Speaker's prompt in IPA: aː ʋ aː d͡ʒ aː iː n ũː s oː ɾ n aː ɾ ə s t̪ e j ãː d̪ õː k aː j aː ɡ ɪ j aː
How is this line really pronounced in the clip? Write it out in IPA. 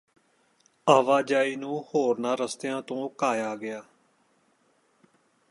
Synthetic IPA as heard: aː ʋ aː d͡ʒ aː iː n ũː h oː ɾ n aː ɾ ə s t̪ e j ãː t̪ õː k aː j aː ɡ ɪ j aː